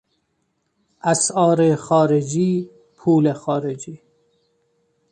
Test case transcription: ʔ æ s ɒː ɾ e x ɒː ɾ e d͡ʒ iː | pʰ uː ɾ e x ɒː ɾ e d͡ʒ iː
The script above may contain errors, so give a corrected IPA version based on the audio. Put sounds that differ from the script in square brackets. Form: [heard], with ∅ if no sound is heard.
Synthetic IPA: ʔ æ s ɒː ɾ e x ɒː ɾ e d͡ʒ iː | pʰ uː [l] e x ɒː ɾ e d͡ʒ iː